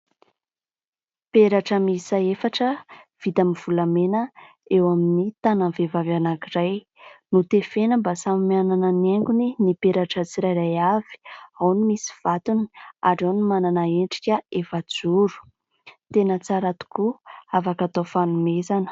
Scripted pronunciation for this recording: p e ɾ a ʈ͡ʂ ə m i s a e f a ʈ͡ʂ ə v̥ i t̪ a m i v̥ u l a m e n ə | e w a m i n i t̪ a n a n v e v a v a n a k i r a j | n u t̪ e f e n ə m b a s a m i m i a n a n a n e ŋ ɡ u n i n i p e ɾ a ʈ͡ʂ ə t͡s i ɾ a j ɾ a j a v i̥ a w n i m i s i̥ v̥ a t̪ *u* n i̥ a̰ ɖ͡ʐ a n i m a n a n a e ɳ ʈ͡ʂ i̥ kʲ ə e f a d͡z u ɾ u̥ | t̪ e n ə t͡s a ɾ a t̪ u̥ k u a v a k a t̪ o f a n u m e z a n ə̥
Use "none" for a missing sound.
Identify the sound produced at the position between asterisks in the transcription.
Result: u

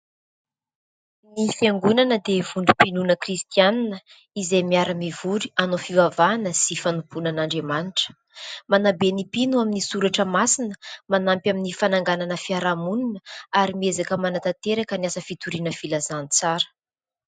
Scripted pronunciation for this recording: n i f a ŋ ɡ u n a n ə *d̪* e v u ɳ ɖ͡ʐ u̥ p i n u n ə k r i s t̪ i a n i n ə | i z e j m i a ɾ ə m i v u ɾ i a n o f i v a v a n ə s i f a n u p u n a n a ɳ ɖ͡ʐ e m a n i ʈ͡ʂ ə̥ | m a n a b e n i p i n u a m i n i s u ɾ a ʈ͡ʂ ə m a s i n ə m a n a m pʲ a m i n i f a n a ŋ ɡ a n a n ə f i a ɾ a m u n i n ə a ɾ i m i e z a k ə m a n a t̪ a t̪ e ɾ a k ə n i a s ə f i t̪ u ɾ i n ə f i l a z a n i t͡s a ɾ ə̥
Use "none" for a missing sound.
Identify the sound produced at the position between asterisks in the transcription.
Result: d̪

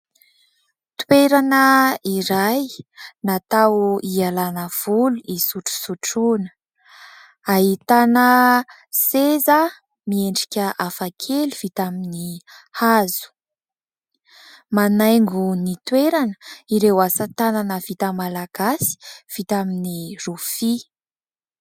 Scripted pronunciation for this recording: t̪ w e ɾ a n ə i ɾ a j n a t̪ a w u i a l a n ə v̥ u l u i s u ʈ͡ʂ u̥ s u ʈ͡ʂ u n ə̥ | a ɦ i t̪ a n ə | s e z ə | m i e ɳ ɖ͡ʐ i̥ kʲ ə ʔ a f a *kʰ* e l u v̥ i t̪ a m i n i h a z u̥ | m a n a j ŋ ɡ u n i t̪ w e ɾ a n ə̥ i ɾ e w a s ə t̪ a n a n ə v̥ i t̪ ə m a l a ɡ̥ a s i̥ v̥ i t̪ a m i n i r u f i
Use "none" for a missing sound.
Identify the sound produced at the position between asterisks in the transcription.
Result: kʰ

